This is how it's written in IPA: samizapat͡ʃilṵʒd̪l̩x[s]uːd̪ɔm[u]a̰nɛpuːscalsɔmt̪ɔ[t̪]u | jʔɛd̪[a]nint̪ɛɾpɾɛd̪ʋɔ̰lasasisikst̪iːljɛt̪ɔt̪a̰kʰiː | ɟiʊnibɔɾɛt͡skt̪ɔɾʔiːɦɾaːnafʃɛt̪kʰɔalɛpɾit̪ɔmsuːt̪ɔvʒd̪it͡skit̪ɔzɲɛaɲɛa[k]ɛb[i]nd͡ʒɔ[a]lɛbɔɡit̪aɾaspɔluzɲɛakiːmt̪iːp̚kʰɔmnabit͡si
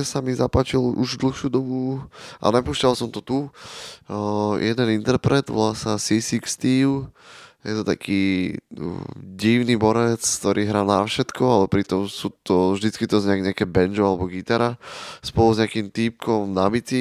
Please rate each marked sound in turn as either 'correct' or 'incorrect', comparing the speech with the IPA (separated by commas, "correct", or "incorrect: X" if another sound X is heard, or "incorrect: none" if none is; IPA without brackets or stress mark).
incorrect: ʃ, correct, correct, incorrect: ɛ, correct, incorrect: ɛ, correct